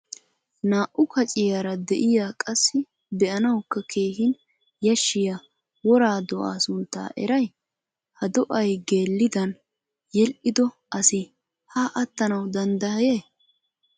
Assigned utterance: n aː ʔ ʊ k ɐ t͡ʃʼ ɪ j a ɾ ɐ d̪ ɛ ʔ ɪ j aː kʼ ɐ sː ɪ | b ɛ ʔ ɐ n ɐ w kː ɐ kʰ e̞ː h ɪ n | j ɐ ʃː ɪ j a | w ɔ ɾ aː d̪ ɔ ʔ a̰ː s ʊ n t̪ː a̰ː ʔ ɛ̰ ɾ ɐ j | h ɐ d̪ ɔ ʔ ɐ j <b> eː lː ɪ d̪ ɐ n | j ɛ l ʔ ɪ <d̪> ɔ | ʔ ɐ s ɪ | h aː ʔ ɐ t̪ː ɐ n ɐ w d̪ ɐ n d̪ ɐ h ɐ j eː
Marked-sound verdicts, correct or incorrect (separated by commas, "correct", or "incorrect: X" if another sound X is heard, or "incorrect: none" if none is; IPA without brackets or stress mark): incorrect: ɡ, correct